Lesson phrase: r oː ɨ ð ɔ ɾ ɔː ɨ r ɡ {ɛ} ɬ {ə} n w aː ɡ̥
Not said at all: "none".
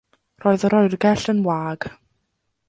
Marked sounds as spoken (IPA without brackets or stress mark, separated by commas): ɛ, ə